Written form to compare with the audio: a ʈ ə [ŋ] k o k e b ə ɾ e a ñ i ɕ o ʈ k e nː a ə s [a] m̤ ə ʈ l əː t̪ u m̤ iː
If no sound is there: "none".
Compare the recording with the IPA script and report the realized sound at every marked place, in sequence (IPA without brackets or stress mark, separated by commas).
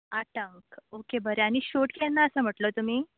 ŋ, ə